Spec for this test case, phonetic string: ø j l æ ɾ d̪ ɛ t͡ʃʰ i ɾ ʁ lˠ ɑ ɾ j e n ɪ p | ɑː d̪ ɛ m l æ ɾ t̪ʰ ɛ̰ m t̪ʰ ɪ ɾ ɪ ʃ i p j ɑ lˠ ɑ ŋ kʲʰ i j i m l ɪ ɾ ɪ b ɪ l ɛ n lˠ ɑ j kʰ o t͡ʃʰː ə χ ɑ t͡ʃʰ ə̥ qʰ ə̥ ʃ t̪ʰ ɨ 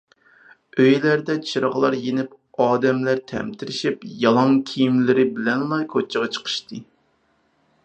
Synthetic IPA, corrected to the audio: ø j l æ ɾ d̪ ɛ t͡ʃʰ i ɾ ʁ lˠ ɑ ɾ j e n ɪ p | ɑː d̪ ɛ m l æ ɾ t̪ʰ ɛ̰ m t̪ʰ ɪ ɾ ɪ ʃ i p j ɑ lˠ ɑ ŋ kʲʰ i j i m l ɪ ɾ ɪ b ɪ l ɛ n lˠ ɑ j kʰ o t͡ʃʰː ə ʁ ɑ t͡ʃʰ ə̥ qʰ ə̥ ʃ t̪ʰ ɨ